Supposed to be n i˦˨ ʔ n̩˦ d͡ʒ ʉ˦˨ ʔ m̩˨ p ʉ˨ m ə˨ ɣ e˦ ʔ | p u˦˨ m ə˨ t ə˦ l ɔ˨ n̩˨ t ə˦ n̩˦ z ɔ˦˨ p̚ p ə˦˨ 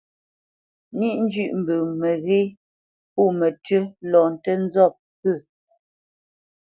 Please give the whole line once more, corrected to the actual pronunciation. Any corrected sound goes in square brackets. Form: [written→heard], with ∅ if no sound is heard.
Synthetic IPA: n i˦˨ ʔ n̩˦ d͡ʒ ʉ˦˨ ʔ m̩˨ [p→b] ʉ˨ m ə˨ ɣ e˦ [ʔ→∅] | p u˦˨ m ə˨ t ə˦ l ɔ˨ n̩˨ t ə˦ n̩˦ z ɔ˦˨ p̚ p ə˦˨